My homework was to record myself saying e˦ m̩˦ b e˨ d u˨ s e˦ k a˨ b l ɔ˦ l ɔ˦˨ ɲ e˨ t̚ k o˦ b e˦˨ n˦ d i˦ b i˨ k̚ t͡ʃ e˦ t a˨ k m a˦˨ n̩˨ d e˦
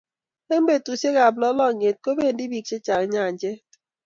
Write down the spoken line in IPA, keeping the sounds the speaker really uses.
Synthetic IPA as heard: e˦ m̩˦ b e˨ t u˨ s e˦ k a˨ b l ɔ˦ l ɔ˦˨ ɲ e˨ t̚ k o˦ b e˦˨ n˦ d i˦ b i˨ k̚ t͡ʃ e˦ t͡ʃ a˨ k ɲ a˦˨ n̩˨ d͡ʒ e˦